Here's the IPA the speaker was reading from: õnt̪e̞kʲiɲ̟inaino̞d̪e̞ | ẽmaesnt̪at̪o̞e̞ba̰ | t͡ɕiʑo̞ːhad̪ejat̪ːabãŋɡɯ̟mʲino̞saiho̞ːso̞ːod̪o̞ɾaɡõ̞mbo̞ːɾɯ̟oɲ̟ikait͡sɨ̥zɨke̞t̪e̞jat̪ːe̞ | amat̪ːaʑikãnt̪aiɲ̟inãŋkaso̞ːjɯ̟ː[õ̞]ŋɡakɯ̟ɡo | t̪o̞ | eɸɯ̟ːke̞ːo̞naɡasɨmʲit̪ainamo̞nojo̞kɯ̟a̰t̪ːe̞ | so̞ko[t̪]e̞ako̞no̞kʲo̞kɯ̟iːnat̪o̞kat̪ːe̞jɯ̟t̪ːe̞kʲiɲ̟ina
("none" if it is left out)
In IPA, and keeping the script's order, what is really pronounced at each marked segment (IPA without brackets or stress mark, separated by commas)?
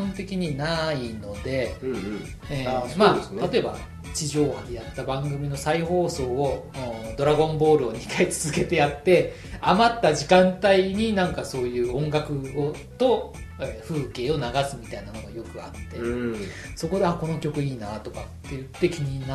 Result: õ̞, d̪